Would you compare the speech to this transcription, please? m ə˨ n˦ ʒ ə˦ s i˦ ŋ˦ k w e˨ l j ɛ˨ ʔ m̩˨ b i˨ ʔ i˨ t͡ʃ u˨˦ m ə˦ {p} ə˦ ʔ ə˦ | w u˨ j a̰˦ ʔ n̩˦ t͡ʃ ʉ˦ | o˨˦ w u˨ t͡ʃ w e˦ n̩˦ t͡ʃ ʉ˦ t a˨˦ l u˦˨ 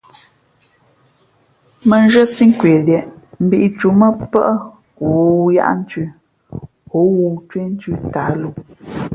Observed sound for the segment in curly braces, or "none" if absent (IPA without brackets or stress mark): p